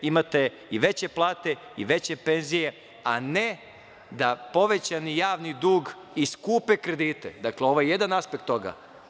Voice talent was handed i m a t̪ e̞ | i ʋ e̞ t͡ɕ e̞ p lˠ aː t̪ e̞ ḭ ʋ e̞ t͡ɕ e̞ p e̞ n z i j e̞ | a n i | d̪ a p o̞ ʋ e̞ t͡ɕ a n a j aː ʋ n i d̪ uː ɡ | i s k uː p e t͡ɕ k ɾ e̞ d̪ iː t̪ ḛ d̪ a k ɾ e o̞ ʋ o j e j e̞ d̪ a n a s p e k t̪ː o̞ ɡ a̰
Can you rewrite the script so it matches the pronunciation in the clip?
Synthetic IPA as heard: i m a t̪ e̞ | i ʋ e̞ t͡ɕ e̞ p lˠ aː t̪ e̞ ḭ ʋ e̞ t͡ɕ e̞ p e̞ n z i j e̞ | a n e | d̪ a p o̞ ʋ e̞ t͡ɕ a n i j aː ʋ n i d̪ uː ɡ | i s k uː p e k ɾ e̞ d̪ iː t̪ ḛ d̪ a k l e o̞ ʋ o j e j e̞ d̪ a n a s p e k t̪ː o̞ ɡ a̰